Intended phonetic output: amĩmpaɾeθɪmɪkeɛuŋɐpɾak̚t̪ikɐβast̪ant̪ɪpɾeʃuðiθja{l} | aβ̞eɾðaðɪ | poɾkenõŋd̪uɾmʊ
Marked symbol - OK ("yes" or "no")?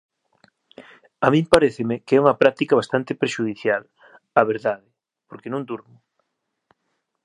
yes